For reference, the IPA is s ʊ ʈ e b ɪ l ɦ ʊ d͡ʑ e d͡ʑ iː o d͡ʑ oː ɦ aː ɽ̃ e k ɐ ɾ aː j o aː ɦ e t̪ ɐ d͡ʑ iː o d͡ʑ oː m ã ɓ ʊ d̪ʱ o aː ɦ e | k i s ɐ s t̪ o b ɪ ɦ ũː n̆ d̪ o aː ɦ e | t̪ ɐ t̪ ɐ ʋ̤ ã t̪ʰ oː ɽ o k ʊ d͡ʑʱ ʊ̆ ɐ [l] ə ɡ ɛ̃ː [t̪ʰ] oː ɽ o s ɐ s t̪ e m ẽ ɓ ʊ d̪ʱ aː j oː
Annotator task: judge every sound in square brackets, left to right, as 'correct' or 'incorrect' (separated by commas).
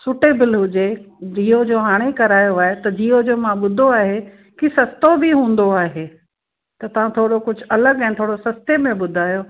correct, correct